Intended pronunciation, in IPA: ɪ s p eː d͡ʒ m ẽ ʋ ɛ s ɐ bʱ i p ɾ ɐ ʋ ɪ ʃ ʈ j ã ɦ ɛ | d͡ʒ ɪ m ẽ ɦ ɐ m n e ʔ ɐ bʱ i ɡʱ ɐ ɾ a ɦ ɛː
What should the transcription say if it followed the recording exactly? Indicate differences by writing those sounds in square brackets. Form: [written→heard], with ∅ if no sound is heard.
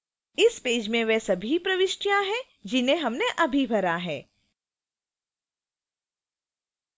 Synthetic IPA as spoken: ɪ s p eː d͡ʒ m ẽ ʋ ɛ s ɐ bʱ i p ɾ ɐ ʋ ɪ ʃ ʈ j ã ɦ ɛ | d͡ʒ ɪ [m→n] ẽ ɦ ɐ m n e ʔ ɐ bʱ i [ɡʱ→bʱ] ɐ ɾ a ɦ ɛː